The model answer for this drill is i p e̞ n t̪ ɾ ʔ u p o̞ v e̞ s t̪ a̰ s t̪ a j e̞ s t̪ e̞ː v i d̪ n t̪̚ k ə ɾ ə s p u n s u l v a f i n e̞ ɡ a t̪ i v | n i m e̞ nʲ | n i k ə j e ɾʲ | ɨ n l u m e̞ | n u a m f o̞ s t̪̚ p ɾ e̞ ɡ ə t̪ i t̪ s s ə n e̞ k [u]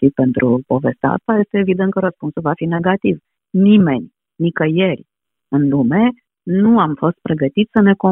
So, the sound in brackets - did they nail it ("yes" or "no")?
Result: no